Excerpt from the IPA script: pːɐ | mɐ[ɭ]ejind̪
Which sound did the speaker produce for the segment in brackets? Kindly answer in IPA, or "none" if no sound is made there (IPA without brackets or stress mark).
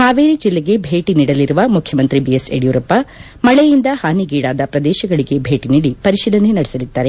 ɭ